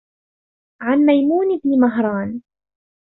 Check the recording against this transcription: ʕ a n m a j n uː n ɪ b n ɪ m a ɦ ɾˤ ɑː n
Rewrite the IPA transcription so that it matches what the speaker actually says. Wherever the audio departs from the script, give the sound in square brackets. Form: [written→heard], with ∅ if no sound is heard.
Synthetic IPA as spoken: ʕ a n m a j [n→m] uː n ɪ b n ɪ m a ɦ ɾˤ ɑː n